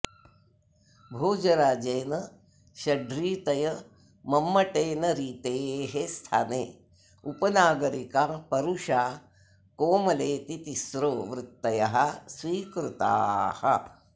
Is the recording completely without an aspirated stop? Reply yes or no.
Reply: no